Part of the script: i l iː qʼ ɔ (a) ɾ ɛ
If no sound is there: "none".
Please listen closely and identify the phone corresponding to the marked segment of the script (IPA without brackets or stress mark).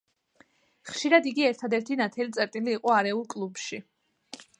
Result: a